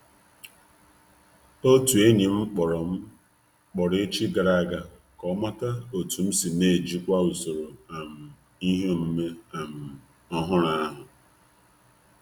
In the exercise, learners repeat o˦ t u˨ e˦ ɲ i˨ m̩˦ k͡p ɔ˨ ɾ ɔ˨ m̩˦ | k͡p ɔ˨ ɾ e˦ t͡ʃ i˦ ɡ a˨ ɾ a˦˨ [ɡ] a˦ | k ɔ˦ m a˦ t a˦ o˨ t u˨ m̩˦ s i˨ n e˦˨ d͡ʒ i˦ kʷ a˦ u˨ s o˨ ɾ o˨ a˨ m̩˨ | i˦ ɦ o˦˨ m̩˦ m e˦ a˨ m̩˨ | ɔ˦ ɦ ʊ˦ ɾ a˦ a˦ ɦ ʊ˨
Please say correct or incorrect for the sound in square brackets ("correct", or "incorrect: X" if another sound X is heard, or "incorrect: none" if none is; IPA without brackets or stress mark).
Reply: correct